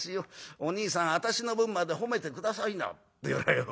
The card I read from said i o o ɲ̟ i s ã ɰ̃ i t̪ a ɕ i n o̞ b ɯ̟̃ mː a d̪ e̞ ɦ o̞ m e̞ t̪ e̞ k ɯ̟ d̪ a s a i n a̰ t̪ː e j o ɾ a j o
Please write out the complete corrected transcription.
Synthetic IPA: i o o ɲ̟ iː s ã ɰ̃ a t̪ a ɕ i n o̞ b ɯ̟̃ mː a d̪ e̞ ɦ o̞ m e̞ t̪ e̞ k ɯ̟ d̪ a s a i n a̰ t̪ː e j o ɾ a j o